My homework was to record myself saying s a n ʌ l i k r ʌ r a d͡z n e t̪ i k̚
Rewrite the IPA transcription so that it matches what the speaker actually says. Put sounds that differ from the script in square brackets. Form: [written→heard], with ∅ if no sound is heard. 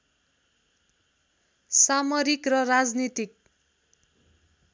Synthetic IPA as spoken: s a [n→m] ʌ [l→ɾ] i k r ʌ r a d͡z n [e→i] t̪ i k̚